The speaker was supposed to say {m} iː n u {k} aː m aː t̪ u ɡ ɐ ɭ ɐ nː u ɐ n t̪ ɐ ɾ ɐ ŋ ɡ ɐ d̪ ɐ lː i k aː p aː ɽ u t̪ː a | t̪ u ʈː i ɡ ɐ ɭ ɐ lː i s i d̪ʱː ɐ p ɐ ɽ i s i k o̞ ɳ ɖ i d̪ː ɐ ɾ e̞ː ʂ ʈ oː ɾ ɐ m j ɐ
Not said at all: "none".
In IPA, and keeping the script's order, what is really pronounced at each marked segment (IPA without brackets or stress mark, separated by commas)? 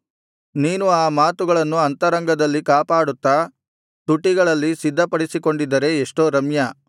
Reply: n, none